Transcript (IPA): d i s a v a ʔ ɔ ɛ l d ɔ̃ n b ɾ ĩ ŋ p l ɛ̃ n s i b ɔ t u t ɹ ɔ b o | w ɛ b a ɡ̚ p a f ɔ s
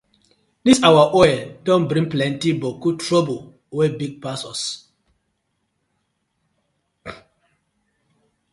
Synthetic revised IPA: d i s a w a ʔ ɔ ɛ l d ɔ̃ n b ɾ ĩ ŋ p l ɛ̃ n t i b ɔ k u t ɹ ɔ b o | w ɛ b i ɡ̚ p a s ɔ s

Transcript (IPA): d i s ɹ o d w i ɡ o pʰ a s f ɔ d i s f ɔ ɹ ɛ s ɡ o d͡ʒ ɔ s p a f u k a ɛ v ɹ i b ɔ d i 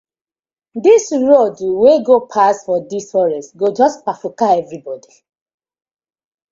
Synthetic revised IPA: d i s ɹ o d w e ɡ o pʰ a s f ɔ d i s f ɔ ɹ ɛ s ɡ o d͡ʒ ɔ s p a f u k a ɛ v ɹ i b ɔ d i

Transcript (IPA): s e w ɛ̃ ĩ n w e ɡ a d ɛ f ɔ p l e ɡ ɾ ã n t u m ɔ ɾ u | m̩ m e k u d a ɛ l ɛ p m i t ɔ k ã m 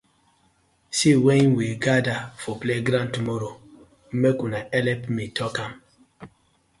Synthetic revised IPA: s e w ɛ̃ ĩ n w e ɡ a d a f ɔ p l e ɡ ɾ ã n t u m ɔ ɾ o | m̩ m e k u n a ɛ l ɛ p m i t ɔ k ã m

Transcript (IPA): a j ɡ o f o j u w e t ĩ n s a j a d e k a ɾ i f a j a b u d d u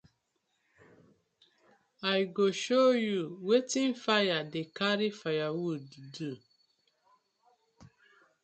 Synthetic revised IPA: a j ɡ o ʃ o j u w e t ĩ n f a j a d e k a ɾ i f a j a w u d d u

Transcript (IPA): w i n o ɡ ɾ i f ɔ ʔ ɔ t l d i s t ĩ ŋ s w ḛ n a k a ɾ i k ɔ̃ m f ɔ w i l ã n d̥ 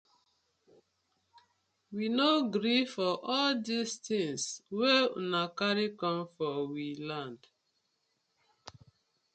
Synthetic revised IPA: w i n o ɡ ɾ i f ɔ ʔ ɔ l d i s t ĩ ŋ s w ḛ n a k a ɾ i k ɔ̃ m f ɔ w i l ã n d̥

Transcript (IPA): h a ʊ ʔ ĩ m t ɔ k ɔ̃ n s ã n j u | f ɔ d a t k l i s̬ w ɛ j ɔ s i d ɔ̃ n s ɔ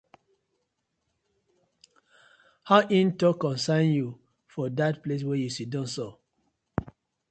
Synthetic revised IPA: h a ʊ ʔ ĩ n t ɔ k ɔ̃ n s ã n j u | f ɔ d a t p l e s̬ w ɛ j u s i d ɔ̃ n s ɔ

